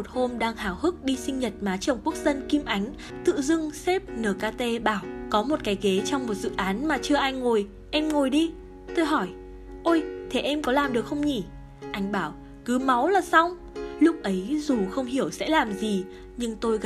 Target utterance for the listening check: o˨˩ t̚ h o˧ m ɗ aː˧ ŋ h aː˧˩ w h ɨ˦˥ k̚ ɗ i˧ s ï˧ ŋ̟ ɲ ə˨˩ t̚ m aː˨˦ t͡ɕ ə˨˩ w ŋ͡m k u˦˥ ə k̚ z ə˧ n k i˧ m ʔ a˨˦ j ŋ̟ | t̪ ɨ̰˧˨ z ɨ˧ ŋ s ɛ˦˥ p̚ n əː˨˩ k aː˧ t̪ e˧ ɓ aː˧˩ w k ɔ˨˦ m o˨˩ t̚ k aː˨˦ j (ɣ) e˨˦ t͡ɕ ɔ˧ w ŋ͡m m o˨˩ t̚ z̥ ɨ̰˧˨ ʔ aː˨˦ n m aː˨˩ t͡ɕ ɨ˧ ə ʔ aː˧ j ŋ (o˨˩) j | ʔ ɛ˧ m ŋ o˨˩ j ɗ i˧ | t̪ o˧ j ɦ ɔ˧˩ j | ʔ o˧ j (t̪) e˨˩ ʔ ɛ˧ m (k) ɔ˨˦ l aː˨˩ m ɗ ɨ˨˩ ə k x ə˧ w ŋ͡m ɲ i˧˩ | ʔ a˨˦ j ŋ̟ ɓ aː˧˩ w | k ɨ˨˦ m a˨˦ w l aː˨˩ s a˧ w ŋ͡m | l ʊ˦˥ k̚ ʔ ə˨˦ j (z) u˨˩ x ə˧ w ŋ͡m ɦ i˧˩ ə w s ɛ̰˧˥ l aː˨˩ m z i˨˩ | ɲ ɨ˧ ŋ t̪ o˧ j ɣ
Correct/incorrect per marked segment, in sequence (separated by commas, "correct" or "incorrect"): correct, correct, incorrect, correct, correct